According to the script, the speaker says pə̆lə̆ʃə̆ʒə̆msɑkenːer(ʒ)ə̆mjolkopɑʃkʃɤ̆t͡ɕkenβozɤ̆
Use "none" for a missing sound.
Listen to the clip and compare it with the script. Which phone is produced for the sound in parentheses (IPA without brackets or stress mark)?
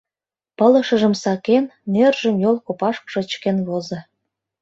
ʒ